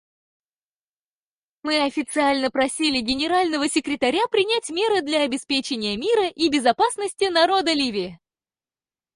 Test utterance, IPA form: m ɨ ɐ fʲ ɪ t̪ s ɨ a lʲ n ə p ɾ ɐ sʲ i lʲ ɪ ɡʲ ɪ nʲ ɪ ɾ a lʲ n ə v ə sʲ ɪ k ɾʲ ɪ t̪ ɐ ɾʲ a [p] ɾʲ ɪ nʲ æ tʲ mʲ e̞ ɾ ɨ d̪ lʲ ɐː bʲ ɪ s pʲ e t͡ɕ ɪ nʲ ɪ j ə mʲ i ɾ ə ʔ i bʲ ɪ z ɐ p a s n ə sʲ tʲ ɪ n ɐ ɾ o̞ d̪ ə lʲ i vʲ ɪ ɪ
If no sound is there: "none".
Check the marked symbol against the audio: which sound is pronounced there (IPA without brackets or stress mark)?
p